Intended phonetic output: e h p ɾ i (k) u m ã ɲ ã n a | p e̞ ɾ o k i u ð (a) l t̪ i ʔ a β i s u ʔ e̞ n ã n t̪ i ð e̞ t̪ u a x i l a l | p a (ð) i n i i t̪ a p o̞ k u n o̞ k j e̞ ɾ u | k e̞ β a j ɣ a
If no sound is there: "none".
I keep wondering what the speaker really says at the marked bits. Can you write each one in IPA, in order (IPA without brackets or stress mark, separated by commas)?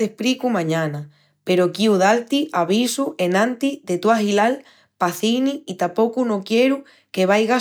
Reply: k, a, θ